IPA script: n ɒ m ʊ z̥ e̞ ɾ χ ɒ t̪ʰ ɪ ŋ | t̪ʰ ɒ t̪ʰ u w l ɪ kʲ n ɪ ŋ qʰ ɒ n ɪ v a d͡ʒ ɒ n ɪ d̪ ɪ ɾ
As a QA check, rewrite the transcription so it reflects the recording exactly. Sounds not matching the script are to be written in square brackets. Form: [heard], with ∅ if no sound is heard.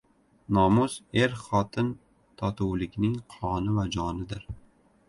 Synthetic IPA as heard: n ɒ m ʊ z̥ e̞ ɾ χ ɒ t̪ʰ ɪ [n] | t̪ʰ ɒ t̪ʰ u w l ɪ kʲ n ɪ ŋ qʰ ɒ n ɪ v a d͡ʒ ɒ n ɪ d̪ ɪ ɾ